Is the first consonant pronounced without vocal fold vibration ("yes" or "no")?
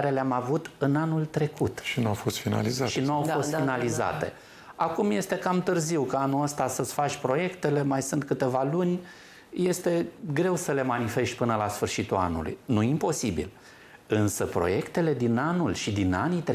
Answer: no